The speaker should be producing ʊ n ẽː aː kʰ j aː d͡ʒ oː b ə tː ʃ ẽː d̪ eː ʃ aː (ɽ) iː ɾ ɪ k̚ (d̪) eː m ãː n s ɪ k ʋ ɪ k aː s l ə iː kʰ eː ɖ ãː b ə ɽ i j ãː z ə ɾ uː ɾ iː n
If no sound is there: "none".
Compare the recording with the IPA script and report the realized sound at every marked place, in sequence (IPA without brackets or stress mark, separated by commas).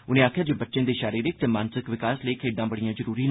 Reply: ɾ, t̪